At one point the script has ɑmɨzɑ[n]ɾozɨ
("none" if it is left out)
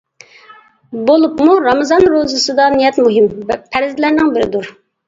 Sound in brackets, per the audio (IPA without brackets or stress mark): n